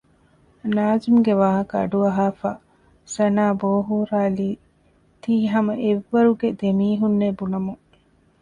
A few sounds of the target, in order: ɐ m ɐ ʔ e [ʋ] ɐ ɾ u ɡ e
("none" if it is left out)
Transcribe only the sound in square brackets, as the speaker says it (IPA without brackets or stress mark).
ʋː